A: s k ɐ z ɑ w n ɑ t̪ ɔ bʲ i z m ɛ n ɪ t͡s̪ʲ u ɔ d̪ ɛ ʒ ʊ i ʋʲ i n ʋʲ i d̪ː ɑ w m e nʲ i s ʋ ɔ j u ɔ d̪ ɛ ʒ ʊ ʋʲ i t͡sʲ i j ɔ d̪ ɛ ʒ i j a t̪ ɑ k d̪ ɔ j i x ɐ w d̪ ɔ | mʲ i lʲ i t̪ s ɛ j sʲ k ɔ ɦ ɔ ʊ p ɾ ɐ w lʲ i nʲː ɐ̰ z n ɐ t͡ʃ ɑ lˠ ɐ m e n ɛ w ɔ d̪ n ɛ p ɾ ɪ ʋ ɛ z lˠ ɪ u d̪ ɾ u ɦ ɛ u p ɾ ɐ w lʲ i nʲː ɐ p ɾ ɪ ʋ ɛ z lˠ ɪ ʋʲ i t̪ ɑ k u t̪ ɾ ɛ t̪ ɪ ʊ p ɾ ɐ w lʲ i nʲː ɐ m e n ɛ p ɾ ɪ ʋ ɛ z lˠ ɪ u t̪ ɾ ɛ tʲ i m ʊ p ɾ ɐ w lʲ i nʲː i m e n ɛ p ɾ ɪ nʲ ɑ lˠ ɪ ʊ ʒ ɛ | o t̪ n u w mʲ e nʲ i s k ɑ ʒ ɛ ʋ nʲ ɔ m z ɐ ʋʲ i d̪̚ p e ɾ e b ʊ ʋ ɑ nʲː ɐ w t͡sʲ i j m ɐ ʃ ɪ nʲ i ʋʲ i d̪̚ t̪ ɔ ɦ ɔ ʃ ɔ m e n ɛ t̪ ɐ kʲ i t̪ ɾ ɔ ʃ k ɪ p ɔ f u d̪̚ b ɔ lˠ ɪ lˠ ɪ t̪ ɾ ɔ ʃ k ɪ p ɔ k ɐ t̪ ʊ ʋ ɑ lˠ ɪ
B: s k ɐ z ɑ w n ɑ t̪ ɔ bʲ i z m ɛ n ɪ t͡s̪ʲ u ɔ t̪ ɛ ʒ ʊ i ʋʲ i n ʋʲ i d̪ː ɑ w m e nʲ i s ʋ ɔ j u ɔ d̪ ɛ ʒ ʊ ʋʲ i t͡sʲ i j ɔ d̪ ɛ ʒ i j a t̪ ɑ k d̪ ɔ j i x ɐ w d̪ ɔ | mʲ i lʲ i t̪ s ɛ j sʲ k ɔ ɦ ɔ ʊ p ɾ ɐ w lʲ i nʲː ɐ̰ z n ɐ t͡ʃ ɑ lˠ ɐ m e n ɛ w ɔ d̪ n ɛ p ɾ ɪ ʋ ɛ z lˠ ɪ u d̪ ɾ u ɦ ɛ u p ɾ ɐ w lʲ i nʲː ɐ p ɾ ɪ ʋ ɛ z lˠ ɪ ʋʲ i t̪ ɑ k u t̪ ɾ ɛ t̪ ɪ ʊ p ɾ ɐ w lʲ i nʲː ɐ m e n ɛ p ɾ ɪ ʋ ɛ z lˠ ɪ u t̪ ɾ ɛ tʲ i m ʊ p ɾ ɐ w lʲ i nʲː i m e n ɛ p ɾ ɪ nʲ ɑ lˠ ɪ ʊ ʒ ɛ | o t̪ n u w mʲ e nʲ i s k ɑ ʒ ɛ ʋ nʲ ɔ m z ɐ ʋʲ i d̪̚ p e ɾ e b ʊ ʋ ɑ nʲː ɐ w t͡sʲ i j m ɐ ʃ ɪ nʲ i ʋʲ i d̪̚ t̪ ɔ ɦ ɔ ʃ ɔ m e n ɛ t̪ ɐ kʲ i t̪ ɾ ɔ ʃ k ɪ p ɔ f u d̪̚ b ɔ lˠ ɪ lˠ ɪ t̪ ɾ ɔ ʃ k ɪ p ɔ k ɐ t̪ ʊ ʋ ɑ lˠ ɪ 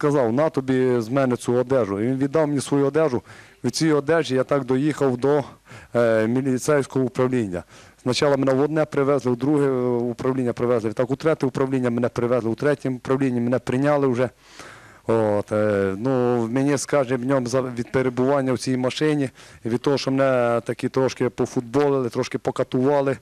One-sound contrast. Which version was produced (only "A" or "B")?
A